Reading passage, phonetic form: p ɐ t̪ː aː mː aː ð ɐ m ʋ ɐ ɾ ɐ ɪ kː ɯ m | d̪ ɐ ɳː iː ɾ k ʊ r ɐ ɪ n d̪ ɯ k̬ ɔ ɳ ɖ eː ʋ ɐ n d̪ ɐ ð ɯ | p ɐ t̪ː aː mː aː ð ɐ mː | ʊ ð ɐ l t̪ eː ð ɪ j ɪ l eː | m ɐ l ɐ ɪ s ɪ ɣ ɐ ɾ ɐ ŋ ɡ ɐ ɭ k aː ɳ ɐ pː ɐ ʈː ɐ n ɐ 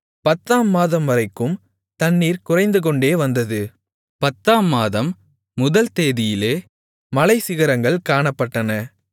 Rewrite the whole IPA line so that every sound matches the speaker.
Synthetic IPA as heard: p ɐ t̪ː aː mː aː ð ɐ m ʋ ɐ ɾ ɐ ɪ kː ɯ m | t̪ ɐ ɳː iː ɾ k ʊ r ɐ ɪ n d̪ ɯ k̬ ɔ ɳ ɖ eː ʋ ɐ n d̪ ɐ ð ɯ | p ɐ t̪ː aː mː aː ð ɐ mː | ʊ ð ɐ l t̪ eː ð ɪ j ɪ l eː | m ɐ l ɐ ɪ s ɪ ɣ ɐ ɾ ɐ ŋ ɡ ɐ ɭ k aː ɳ ɐ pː ɐ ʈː ɐ n ɐ